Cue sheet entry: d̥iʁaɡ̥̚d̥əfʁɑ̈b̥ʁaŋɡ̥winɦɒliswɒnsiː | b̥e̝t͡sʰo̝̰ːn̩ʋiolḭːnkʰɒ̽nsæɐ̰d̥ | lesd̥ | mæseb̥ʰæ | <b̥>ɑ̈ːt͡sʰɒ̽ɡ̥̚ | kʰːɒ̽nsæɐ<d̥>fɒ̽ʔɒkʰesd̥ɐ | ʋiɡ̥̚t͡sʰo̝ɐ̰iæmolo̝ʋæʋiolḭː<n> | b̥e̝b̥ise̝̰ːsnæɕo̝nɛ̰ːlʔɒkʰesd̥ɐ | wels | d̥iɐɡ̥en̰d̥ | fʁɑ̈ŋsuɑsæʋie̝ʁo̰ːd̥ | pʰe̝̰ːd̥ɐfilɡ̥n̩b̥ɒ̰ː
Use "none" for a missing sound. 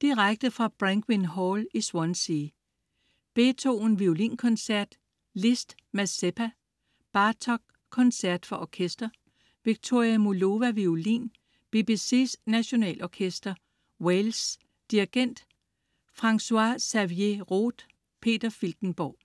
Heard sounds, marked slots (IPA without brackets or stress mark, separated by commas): b̥, d̥, n